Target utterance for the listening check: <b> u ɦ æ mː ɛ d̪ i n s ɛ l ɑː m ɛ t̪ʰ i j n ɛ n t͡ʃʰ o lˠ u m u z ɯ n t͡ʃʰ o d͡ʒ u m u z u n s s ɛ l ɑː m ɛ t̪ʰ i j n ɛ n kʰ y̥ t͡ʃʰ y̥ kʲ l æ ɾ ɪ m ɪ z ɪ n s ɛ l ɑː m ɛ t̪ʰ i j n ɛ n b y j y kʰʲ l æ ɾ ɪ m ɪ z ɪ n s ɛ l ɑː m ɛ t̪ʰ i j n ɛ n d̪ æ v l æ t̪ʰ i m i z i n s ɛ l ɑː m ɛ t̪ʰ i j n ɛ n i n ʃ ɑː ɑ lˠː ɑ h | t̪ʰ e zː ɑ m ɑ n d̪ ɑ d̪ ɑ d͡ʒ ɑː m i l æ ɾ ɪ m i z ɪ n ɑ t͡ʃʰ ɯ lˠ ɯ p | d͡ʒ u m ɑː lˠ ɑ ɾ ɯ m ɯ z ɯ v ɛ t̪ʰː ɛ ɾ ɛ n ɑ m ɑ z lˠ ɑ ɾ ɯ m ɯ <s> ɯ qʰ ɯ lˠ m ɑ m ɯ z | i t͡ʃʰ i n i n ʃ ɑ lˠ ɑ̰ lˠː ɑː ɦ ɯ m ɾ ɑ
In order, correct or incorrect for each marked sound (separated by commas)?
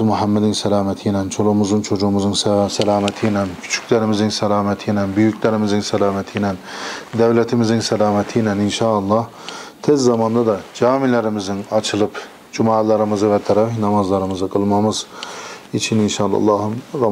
incorrect, incorrect